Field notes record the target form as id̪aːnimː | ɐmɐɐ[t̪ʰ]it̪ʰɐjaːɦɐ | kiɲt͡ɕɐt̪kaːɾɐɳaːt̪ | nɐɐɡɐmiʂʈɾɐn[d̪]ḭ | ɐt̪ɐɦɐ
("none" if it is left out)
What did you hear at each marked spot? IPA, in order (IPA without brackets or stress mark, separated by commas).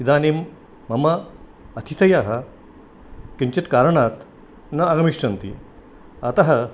t̪ʰ, t̪